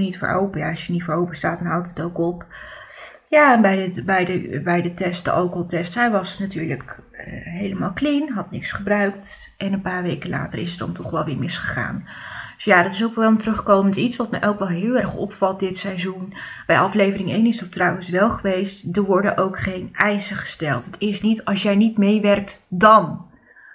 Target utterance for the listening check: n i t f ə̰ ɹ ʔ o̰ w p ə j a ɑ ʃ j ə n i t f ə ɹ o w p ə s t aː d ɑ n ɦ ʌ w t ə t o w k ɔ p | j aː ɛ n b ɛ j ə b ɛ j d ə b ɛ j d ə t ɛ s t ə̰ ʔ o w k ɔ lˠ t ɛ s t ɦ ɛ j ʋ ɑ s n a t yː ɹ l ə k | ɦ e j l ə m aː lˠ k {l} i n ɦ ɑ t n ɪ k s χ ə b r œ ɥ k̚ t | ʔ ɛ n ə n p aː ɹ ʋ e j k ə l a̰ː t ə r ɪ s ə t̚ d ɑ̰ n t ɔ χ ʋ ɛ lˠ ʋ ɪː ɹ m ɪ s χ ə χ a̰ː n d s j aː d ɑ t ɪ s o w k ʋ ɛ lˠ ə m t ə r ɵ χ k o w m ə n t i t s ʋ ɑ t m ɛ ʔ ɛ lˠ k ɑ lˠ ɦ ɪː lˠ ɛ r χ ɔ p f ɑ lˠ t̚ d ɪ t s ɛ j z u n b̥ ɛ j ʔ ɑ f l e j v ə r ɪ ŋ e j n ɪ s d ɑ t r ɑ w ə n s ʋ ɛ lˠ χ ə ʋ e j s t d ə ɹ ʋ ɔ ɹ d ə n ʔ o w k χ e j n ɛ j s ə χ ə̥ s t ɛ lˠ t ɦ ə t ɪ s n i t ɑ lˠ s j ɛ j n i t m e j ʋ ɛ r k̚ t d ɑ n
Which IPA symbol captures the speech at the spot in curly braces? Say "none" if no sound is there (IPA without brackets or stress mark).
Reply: l